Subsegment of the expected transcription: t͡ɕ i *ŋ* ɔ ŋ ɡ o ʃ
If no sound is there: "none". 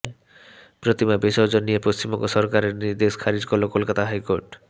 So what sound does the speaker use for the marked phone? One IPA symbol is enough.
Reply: m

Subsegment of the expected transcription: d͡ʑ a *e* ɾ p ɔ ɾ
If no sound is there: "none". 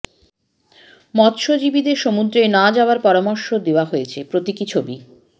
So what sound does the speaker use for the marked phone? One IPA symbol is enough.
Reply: a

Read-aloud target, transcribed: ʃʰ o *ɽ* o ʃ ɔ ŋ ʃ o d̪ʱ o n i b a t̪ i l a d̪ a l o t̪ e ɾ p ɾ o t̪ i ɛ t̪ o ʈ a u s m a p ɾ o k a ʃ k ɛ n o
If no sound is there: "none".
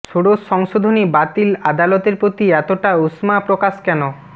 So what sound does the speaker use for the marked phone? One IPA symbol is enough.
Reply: ɽ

